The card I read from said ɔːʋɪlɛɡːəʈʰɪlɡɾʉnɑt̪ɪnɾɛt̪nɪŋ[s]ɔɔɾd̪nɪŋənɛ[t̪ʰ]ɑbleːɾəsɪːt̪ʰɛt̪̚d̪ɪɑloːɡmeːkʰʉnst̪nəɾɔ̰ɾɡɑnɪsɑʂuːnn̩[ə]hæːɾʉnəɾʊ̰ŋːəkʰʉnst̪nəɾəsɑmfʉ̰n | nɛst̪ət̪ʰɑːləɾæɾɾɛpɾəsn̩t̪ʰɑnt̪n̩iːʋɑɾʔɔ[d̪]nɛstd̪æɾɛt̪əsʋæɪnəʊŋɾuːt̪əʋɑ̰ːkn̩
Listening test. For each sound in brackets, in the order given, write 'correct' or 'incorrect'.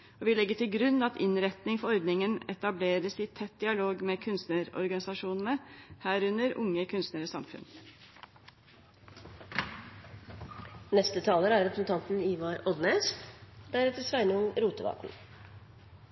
incorrect: f, incorrect: t̪, correct, correct

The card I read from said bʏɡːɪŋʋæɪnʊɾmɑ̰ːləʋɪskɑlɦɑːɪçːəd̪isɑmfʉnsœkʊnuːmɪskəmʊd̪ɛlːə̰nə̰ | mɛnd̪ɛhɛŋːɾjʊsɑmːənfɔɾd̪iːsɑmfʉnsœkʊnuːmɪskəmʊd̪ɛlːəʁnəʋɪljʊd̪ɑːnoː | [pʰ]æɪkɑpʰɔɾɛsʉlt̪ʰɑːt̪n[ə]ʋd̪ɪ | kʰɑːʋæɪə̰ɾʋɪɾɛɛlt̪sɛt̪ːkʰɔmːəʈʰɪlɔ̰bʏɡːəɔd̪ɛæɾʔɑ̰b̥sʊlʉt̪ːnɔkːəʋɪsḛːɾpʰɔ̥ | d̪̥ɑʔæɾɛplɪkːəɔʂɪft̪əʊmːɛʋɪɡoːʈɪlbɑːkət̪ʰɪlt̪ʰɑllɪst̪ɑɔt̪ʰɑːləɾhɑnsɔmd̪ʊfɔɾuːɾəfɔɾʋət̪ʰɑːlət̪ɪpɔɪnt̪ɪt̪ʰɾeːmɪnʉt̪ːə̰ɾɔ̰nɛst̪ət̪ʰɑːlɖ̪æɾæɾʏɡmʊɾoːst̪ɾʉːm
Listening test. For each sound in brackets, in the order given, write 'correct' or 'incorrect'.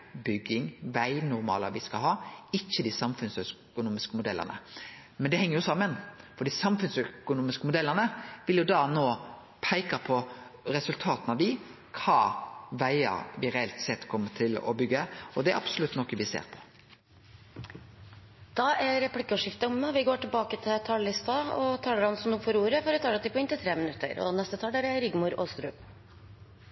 correct, incorrect: ɑ

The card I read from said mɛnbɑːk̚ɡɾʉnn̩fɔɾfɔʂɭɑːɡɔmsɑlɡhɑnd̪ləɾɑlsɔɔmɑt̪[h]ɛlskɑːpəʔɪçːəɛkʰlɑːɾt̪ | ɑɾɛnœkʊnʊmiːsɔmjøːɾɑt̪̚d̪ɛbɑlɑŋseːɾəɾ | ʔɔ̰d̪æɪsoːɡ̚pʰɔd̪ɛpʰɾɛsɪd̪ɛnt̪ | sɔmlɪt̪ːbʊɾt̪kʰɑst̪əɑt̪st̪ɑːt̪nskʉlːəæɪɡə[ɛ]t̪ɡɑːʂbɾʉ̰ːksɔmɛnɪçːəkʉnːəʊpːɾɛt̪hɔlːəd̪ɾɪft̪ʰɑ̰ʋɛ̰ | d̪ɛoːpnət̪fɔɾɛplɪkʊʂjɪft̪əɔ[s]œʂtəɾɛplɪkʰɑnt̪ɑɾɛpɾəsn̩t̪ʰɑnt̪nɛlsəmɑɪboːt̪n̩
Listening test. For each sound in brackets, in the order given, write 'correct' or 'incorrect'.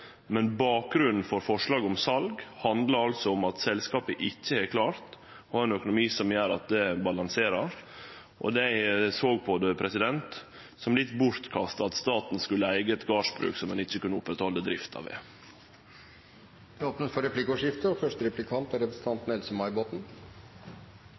incorrect: s, correct, incorrect: f

